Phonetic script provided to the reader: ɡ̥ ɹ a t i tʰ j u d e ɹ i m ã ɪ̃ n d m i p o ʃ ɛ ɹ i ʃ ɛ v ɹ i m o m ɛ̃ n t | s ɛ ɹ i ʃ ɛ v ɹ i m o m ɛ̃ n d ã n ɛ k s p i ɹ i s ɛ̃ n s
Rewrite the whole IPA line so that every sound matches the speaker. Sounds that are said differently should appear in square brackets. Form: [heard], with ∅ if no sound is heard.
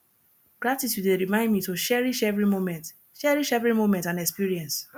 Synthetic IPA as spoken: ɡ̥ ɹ a t i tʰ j u d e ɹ i m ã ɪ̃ n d m i [t] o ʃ ɛ ɹ i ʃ ɛ v ɹ i m o m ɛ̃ n t | [ʃ] ɛ ɹ i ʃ ɛ v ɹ i m o m ɛ̃ n [t] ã n ɛ k s p i ɹ i [∅] ɛ̃ n s

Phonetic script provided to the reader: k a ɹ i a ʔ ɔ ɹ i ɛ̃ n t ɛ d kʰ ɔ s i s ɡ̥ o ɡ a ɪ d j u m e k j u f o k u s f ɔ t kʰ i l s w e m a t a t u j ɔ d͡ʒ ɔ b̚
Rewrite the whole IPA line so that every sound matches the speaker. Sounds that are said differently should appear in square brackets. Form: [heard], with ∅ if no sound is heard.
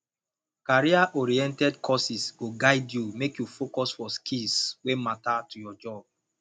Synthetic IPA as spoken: k a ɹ i a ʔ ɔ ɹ i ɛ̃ n t ɛ d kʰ ɔ s i s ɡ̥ o ɡ a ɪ d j u m e k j u f o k [ɔ] s f ɔ [s] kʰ i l s w e m a t a t u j ɔ d͡ʒ ɔ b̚

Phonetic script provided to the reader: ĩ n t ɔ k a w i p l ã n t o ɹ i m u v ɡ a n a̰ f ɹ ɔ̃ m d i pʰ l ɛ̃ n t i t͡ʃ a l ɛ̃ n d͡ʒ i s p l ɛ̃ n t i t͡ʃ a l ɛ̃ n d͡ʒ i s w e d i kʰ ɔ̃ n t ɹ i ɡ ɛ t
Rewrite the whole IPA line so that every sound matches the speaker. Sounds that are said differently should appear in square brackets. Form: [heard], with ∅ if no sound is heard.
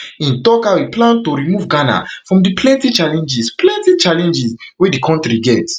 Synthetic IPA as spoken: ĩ n t ɔ k a w i p l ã n t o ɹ i m u v ɡ a n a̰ f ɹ ɔ̃ m d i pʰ l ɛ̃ n t i t͡ʃ a l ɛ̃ n d͡ʒ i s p l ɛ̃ n t i t͡ʃ a l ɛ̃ n d͡ʒ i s w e d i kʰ ɔ̃ n t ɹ i ɡ ɛ t

